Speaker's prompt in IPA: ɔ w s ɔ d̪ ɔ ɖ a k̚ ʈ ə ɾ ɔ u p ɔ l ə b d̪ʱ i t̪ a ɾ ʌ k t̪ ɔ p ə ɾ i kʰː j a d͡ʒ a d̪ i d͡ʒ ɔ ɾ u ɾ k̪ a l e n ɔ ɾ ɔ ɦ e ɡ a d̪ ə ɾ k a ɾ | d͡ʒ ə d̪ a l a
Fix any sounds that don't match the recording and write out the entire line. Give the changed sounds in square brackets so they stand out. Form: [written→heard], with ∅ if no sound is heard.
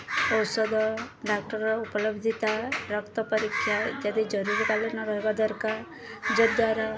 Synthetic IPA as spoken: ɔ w s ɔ d̪ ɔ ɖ a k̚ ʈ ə ɾ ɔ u p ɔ l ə b d̪ʱ i t̪ a ɾ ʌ k t̪ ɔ p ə ɾ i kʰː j a d͡ʒ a d̪ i d͡ʒ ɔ ɾ u ɾ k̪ a l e n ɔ ɾ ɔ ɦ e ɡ a d̪ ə ɾ k a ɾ | d͡ʒ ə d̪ a [l→ɾ] a